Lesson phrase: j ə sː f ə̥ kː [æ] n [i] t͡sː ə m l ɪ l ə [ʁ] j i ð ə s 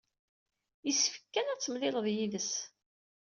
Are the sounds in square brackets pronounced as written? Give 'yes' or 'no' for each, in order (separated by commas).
yes, no, no